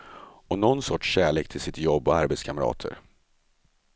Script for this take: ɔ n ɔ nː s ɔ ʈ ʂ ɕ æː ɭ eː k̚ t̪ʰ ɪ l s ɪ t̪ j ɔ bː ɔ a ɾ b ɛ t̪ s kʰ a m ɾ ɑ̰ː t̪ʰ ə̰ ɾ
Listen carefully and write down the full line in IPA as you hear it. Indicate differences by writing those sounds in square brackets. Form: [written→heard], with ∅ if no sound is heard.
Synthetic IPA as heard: ɔ n ɔ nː s ɔ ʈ ʂ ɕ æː ɭ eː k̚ t̪ʰ ɪ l s ɪ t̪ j ɔ bː ɔ a ɾ b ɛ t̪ s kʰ a m ɾ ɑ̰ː t̪ʰ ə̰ ɾ